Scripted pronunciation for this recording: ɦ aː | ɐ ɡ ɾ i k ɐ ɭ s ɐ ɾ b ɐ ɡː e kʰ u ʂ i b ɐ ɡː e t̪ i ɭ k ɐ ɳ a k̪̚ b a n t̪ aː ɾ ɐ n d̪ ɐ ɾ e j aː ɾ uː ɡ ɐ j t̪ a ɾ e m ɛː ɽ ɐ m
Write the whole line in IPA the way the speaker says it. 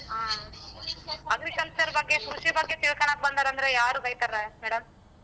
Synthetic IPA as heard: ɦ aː | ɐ ɡ ɾ i k ɐ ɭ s ɐ ɾ b ɐ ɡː e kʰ u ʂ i b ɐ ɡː e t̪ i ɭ k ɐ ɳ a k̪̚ b ɐ n d̪ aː ɾ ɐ n d̪ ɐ ɾ e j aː ɾ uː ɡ ɐ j t̪ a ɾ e m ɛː ɽ ɐ m